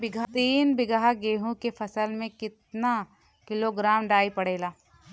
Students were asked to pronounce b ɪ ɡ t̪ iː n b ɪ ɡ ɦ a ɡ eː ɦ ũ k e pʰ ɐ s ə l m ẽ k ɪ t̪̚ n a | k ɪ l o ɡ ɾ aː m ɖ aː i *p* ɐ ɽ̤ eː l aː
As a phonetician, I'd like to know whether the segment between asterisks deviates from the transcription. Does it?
no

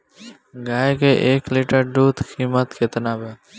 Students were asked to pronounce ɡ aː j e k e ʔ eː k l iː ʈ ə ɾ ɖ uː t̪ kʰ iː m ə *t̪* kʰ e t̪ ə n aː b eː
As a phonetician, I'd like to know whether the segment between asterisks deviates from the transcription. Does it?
no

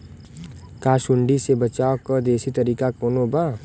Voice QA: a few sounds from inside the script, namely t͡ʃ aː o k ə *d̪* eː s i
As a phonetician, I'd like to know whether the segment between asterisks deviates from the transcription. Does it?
no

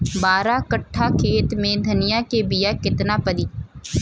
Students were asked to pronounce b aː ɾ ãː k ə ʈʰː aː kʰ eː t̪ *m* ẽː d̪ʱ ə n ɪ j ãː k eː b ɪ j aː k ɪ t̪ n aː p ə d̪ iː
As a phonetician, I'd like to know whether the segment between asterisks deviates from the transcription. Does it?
no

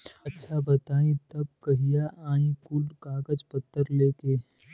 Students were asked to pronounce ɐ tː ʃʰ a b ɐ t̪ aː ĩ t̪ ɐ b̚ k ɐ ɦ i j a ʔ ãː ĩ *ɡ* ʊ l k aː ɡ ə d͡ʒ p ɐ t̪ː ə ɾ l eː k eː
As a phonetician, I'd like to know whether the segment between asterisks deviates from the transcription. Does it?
yes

